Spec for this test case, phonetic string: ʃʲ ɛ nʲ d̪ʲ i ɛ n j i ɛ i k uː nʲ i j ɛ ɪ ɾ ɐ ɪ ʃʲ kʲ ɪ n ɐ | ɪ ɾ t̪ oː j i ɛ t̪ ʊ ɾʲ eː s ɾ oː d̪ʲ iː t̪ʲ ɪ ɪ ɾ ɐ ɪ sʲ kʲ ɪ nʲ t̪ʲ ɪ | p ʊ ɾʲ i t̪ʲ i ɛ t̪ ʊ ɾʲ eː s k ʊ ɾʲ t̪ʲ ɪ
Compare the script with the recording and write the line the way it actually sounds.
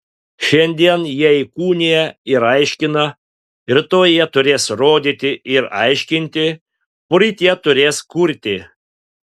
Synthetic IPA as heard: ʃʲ ɛ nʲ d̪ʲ i ɛ n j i ɛ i k uː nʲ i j ɛ ɪ ɾ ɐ ɪ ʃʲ kʲ ɪ n ɐ | ɪ ɾ t̪ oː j i ɛ t̪ ʊ ɾʲ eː s ɾ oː d̪ʲ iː t̪ʲ ɪ ɪ ɾ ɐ ɪ ʃʲ kʲ ɪ nʲ t̪ʲ ɪ | p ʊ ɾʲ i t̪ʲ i ɛ t̪ ʊ ɾʲ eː s k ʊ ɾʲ t̪ʲ ɪ